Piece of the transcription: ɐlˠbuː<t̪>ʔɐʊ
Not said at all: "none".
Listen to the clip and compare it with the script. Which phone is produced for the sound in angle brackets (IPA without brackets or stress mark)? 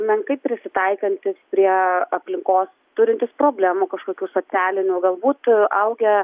t̪